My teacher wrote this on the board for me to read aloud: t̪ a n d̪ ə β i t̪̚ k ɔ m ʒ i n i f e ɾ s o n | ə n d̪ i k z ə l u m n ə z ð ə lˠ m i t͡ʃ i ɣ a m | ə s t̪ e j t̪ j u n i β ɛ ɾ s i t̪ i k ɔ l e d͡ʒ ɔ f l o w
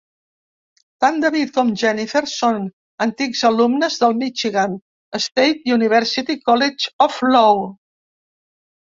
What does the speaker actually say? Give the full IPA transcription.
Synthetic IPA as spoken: t̪ a n d̪ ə β i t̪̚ k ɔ m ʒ ɛ n i f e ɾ s o n | ə n t̪ i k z ə l u m n ə z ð ə lˠ m i t͡ʃ i ɣ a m | ə s t̪ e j t̪ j u n i β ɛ ɾ s i t̪ i k ɔ l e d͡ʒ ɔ f l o w